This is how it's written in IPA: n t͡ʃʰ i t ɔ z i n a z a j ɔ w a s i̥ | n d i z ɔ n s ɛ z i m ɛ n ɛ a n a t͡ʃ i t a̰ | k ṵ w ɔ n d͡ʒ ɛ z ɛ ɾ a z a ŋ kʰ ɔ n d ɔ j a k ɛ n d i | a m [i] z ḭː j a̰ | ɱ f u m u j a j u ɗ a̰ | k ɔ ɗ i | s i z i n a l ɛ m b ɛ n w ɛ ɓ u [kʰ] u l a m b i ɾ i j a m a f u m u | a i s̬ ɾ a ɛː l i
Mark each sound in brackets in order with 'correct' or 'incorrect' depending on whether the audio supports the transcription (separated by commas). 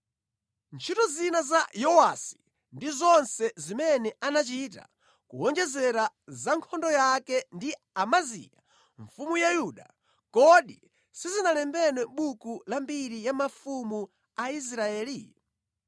incorrect, incorrect